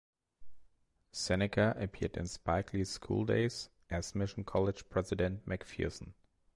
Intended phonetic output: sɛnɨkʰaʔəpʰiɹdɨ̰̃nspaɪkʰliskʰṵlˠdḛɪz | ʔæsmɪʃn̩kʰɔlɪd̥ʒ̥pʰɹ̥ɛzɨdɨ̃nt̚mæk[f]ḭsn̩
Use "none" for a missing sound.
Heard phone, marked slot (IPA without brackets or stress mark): f